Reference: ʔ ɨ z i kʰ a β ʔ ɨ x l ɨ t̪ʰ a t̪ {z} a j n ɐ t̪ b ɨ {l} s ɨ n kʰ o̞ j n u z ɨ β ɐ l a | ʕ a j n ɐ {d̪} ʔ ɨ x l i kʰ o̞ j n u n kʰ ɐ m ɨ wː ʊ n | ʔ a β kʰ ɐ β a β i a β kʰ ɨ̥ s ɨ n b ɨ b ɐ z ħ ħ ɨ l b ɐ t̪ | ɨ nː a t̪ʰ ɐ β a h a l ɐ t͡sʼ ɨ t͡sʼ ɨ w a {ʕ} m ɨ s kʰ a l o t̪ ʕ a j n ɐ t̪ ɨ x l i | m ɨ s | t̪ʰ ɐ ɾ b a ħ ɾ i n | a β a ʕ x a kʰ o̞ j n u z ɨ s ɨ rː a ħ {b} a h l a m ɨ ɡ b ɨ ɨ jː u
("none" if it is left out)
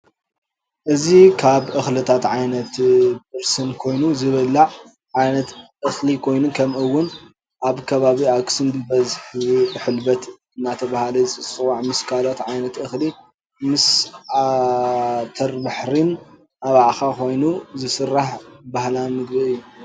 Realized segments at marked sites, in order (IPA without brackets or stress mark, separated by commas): ʕ, ɾ, t̪, ʕ, b